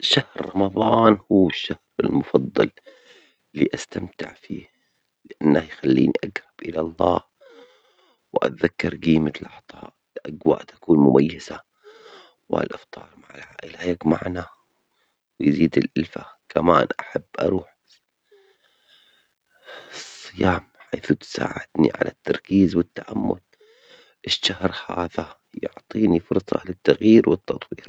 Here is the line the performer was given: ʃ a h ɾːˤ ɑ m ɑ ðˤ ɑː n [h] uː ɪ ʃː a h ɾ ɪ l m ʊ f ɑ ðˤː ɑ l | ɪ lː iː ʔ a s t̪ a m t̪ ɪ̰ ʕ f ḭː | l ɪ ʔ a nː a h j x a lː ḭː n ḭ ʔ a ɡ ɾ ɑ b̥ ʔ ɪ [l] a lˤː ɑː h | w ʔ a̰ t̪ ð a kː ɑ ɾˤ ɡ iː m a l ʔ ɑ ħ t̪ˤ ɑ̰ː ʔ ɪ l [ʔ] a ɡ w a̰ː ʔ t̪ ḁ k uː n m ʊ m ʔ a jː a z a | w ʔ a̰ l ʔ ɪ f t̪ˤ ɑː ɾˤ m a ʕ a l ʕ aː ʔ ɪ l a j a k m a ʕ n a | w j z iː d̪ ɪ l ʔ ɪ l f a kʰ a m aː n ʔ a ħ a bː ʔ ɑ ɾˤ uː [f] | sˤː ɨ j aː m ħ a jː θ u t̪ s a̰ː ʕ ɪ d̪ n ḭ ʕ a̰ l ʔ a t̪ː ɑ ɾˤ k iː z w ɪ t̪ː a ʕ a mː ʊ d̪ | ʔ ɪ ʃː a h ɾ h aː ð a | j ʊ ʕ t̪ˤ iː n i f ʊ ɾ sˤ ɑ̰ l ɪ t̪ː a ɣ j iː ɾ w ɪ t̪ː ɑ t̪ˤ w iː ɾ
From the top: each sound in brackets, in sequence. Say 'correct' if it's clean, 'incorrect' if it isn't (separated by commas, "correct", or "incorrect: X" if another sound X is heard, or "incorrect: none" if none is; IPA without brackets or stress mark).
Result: correct, correct, correct, incorrect: ħ